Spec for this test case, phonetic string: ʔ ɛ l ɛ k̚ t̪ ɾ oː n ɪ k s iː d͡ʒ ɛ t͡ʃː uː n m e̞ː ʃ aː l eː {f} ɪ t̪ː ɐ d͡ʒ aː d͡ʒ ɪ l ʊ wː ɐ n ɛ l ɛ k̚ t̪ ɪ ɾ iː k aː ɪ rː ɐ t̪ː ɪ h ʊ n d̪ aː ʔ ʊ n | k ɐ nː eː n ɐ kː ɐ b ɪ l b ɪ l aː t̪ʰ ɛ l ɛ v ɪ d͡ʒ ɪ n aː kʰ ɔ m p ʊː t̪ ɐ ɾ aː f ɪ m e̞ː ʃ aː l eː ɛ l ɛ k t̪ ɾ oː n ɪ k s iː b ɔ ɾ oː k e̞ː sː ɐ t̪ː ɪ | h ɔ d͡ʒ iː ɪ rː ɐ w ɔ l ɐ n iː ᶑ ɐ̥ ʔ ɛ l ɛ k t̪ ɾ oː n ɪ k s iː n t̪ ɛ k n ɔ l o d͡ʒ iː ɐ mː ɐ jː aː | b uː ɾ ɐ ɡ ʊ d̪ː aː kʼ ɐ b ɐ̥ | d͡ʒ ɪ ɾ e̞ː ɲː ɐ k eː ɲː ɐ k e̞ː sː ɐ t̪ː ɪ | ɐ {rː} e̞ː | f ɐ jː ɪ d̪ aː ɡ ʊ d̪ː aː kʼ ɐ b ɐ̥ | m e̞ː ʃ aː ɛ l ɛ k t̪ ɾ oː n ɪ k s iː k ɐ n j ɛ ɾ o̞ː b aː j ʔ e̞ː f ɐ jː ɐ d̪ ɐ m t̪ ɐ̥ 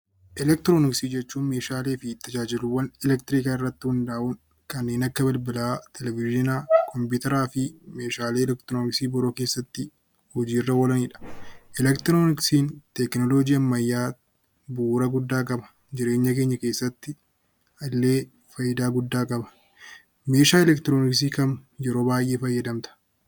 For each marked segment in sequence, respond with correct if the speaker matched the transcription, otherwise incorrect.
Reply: correct, incorrect

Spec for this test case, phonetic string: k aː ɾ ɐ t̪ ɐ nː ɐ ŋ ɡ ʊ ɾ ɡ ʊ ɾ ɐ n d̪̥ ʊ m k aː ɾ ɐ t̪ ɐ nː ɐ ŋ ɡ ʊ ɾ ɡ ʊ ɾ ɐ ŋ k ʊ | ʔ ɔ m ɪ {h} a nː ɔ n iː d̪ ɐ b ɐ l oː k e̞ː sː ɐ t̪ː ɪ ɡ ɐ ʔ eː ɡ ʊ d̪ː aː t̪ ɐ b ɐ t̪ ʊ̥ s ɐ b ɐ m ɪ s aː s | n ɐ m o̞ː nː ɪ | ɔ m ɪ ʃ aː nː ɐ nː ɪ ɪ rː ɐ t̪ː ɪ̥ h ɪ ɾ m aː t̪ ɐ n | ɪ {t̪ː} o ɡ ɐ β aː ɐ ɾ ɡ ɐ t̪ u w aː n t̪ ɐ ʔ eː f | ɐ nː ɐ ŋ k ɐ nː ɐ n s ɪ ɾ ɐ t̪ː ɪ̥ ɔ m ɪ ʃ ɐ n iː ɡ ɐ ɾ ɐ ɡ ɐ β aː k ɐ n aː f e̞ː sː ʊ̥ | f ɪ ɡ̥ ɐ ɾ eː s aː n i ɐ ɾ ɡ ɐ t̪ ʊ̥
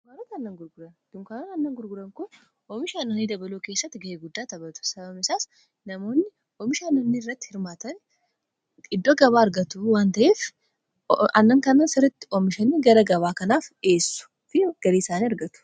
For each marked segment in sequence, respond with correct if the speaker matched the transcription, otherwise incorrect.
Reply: incorrect, incorrect

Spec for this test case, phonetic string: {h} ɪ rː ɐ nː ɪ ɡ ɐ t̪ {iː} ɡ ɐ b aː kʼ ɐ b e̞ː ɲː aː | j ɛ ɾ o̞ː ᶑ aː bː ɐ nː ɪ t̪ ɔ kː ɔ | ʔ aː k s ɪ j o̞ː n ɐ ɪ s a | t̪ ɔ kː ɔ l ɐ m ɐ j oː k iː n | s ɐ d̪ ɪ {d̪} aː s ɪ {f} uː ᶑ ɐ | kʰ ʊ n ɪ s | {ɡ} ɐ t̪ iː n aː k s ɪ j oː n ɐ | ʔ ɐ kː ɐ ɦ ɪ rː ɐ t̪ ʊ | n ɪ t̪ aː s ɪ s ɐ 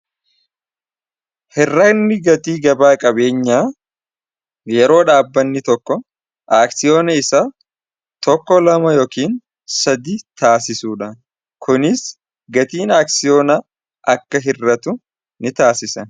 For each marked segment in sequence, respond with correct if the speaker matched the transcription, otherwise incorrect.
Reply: correct, correct, incorrect, incorrect, correct

